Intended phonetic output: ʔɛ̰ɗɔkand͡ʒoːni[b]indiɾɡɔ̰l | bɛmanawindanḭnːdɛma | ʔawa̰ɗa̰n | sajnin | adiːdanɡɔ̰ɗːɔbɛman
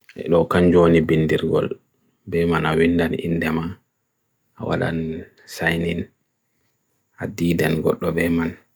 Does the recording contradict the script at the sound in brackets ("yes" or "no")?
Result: no